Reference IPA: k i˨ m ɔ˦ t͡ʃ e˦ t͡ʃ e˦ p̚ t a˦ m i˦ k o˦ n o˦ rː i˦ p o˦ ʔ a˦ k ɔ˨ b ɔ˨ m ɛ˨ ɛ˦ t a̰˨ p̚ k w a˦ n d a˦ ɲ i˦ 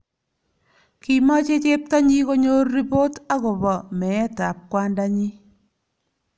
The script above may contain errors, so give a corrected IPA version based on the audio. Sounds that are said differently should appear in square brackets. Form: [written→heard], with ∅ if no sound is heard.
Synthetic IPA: k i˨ m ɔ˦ t͡ʃ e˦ t͡ʃ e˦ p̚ t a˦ [m→ɲ] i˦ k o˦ [n→ɲ] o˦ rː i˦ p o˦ [ʔ→t] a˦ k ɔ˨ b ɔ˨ m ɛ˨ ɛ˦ t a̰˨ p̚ k w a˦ n d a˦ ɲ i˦